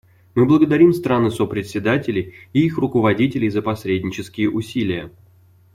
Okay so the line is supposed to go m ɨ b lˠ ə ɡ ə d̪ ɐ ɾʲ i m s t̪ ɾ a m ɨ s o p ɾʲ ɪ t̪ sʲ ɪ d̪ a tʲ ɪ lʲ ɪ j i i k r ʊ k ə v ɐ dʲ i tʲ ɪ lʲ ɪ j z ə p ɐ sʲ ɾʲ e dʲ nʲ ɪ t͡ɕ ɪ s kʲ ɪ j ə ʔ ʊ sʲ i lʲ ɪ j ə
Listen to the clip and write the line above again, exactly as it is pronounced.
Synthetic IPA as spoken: m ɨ b lˠ ə ɡ ə d̪ ɐ ɾʲ i m s t̪ ɾ a n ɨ s o p ɾʲ ɪ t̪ sʲ ɪ d̪ a tʲ ɪ lʲ ɪ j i i x r ʊ k ə v ɐ dʲ i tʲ ɪ lʲ ɪ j z ə p ɐ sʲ ɾʲ e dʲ nʲ ɪ t͡ɕ ɪ s kʲ ɪ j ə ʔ ʊ sʲ i lʲ ɪ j ə